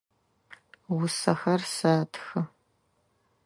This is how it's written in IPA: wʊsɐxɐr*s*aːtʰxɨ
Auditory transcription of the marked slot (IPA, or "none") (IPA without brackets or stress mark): s